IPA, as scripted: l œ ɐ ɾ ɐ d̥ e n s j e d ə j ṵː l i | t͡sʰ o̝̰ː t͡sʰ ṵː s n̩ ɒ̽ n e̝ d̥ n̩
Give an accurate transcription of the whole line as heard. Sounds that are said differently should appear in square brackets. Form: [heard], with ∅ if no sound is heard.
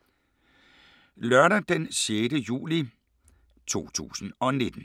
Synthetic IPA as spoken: l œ ɐ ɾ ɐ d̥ e n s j e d ə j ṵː l i | t͡sʰ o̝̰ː t͡sʰ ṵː s n̩ ɒ̽ n e̝ d̥ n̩